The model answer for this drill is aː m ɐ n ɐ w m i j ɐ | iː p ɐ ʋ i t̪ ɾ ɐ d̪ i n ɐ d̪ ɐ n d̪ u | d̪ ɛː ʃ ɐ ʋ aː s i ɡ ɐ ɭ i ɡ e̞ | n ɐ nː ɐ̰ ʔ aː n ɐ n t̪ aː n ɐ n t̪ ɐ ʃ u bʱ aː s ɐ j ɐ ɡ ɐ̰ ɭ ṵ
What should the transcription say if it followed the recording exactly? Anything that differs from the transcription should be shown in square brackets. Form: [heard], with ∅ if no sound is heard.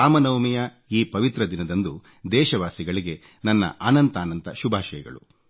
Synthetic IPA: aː m ɐ n ɐ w m i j ɐ | iː p ɐ ʋ i t̪ ɾ ɐ d̪ i n ɐ d̪ ɐ n d̪ u | d̪ ɛː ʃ ɐ ʋ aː s i ɡ ɐ ɭ i ɡ e̞ | n ɐ nː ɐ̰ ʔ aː n ɐ n t̪ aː n ɐ n t̪ ɐ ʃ u bʱ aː [ʃ] ɐ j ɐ ɡ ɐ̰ ɭ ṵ